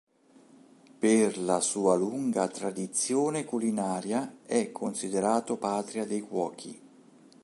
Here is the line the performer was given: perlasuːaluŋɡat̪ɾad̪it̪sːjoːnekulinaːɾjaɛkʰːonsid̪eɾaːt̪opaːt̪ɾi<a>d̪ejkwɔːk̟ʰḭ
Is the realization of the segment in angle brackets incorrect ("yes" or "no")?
no